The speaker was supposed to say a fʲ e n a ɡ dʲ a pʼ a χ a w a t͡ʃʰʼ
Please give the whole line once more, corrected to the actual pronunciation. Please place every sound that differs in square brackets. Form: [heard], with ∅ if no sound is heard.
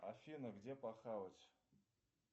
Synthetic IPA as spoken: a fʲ [i] n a ɡ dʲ [e] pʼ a χ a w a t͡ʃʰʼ